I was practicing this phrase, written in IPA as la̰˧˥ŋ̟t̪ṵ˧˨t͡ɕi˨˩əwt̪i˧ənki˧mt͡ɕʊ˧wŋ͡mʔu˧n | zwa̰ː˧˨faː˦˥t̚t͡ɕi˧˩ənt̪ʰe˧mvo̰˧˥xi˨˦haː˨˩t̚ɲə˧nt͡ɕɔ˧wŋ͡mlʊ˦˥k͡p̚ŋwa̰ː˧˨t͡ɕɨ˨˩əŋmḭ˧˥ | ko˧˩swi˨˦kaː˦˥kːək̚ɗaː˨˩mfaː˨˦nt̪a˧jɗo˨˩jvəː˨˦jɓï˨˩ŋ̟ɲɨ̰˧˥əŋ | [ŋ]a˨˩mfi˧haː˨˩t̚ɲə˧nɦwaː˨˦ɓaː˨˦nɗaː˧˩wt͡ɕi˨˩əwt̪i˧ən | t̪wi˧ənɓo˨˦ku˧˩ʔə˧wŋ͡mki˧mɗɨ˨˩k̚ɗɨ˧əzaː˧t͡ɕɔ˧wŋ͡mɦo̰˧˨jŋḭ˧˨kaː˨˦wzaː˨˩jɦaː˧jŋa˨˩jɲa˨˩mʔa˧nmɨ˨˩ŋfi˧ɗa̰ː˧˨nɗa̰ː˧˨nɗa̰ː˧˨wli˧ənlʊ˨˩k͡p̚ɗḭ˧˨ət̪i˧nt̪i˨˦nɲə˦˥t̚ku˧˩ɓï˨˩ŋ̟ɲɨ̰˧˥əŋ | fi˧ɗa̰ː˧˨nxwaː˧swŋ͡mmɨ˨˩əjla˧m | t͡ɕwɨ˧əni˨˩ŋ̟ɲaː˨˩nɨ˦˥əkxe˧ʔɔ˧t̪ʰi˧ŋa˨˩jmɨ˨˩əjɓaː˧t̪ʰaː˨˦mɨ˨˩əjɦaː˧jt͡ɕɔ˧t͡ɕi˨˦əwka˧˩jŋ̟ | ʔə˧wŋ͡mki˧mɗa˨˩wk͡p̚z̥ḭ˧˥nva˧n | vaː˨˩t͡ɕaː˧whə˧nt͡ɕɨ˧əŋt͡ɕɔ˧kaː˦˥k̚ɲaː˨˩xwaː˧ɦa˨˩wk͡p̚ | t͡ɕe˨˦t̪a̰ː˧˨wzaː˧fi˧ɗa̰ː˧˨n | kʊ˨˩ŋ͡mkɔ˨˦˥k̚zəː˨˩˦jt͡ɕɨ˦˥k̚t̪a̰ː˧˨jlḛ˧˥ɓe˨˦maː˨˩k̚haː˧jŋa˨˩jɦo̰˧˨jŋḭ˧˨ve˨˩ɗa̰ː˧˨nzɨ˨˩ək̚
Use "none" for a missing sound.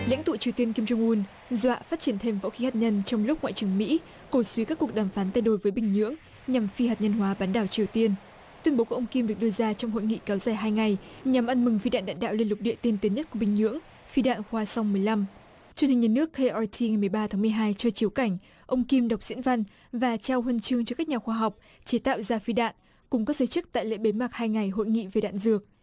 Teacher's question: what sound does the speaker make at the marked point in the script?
ɲ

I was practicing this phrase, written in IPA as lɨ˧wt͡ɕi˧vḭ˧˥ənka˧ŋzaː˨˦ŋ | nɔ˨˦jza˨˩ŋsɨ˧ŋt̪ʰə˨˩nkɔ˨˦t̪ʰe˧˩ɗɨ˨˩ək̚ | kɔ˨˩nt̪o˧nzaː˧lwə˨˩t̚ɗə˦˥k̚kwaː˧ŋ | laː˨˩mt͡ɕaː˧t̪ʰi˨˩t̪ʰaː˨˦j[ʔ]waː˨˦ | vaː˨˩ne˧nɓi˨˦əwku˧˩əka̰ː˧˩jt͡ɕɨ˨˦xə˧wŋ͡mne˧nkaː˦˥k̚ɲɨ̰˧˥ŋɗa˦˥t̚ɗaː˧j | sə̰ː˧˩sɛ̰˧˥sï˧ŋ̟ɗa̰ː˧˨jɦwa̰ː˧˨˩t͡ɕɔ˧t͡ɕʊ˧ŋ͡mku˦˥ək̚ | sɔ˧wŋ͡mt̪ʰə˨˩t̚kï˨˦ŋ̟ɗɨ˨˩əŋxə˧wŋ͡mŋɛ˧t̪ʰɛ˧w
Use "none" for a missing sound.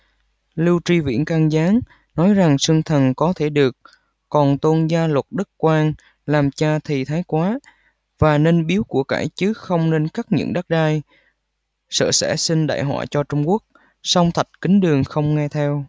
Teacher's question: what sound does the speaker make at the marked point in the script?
k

